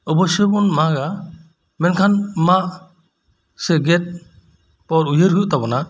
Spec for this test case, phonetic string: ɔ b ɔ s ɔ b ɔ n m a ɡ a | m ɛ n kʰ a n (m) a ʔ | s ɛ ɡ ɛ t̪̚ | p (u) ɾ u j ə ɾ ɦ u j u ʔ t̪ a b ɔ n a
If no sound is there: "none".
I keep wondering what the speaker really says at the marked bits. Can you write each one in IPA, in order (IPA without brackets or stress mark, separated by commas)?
m, ɔ